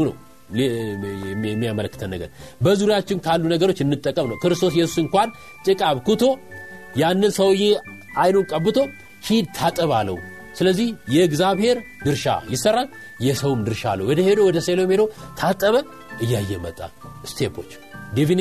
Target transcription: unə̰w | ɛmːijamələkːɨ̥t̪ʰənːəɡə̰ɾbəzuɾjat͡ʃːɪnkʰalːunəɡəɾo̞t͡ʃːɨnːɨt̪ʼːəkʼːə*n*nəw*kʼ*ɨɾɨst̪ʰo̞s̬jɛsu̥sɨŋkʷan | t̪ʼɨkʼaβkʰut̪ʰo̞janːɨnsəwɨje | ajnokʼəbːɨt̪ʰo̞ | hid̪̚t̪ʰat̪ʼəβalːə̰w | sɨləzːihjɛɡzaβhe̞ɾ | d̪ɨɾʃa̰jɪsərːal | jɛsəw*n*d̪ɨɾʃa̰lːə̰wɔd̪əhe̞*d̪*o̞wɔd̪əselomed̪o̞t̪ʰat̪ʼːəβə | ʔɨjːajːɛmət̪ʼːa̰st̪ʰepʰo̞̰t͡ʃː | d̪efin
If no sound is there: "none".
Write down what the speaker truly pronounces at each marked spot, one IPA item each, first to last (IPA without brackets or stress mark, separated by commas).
m, k, m, d̪